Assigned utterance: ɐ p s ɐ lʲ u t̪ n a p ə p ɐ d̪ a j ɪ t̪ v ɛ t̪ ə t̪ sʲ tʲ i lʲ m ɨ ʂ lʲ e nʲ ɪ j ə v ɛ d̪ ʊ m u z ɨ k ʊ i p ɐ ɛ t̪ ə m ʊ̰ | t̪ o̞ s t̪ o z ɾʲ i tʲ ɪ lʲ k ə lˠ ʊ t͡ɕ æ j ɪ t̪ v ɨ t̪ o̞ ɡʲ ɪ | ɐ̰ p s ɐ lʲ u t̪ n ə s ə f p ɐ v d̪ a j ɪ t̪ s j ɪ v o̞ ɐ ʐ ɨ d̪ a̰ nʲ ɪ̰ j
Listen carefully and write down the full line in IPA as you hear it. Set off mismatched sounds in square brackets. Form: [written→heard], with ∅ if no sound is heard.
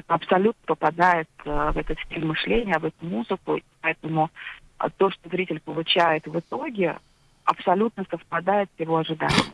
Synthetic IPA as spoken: ɐ p s ɐ lʲ u t̪ n [a→ə] p ə p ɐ d̪ a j ɪ t̪ v ɛ t̪ ə t̪ sʲ tʲ i lʲ m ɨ ʂ lʲ e nʲ ɪ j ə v ɛ [d̪→t̪] ʊ m u z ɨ k ʊ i p ɐ ɛ t̪ ə m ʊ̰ | t̪ o̞ [s→ʂ] t̪ o z ɾʲ i tʲ ɪ lʲ [k→p] ə lˠ ʊ t͡ɕ æ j ɪ t̪ v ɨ t̪ o̞ ɡʲ ɪ | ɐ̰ p s ɐ lʲ u t̪ n ə s ə f p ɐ [v→∅] d̪ a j ɪ t̪ s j ɪ v o̞ ɐ ʐ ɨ d̪ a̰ nʲ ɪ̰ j